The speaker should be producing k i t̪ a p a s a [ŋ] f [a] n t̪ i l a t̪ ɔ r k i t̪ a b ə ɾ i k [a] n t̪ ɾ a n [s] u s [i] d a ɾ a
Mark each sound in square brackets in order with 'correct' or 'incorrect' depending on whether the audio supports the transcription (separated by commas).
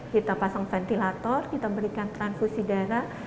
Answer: correct, incorrect, correct, incorrect, correct